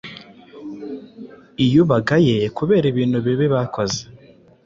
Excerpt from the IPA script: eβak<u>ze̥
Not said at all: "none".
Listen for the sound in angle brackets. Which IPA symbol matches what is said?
o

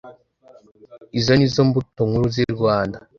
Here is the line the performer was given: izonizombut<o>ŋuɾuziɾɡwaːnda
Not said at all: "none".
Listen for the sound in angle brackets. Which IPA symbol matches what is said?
o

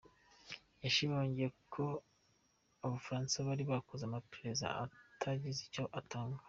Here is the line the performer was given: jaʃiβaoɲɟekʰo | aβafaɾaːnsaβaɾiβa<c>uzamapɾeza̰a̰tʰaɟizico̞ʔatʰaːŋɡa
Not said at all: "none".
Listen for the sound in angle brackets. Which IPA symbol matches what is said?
k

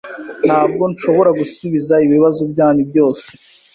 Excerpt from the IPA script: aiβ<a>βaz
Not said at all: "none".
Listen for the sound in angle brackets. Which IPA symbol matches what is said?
i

